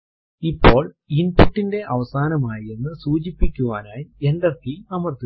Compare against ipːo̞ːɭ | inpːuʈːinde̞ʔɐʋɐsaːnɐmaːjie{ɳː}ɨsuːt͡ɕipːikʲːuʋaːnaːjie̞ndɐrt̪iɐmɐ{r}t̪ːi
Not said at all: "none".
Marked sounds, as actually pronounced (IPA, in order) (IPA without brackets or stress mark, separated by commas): nː, r